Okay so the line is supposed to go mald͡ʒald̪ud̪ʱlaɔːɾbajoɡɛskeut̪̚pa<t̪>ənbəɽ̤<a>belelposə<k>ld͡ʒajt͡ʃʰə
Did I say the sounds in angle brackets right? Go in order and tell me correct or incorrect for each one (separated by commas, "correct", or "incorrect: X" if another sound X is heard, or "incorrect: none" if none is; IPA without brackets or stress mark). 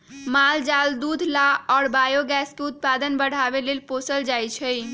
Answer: incorrect: d̪, correct, incorrect: none